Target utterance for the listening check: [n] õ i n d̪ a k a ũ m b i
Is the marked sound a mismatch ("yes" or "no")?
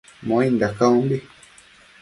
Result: yes